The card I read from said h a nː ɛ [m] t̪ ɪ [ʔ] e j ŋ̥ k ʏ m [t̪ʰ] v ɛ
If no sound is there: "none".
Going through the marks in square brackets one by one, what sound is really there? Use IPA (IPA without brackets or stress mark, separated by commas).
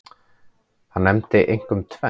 m, ʔ, t̪ʰ